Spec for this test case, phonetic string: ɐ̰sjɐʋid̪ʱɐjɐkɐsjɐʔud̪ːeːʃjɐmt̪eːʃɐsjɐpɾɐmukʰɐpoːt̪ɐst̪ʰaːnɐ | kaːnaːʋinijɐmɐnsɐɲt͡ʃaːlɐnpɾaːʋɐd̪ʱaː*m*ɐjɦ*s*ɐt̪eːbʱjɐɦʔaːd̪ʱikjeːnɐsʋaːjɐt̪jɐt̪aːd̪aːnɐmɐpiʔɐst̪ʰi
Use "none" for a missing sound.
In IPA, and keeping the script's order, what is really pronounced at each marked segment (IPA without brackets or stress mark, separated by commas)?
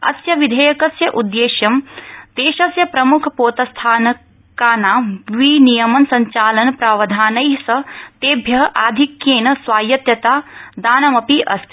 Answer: n, s